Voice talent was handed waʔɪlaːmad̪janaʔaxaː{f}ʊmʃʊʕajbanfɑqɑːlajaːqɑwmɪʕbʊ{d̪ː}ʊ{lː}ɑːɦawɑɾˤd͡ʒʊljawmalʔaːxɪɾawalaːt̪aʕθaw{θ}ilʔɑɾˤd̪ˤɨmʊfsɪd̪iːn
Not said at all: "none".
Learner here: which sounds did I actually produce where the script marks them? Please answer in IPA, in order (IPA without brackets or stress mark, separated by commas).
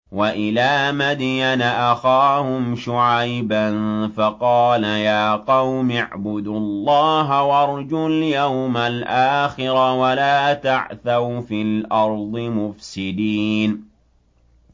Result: h, d̪, lː, f